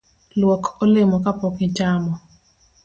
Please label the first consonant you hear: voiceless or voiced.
voiced